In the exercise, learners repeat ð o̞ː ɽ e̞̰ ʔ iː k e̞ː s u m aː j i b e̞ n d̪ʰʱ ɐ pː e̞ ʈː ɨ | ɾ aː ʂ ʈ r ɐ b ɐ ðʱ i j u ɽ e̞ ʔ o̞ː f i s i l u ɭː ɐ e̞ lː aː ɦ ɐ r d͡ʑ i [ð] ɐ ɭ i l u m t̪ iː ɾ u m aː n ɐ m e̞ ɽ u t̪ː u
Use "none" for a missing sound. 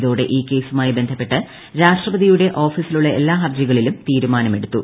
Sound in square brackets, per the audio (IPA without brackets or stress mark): ɣ